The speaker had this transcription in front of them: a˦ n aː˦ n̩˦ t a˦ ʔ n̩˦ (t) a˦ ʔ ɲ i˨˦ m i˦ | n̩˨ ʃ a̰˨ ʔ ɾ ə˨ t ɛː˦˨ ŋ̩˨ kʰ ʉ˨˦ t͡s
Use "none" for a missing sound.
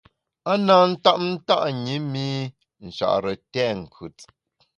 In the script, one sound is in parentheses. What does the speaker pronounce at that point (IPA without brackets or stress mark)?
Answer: t